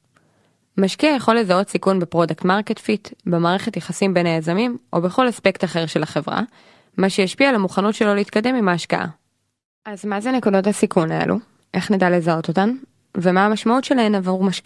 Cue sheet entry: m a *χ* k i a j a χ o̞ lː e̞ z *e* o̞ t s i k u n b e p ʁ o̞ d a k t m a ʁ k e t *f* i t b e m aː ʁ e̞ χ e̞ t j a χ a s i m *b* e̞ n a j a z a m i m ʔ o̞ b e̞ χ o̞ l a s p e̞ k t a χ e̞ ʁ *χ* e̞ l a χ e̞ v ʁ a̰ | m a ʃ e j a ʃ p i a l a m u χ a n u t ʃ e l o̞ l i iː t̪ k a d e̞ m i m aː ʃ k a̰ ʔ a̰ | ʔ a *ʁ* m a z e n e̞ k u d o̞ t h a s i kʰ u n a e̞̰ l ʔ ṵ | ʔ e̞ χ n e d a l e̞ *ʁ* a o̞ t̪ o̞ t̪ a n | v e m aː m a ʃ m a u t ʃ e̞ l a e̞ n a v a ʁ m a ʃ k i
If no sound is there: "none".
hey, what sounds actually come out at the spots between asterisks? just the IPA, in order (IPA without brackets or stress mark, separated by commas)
ʃ, a, f, b, ʃ, z, z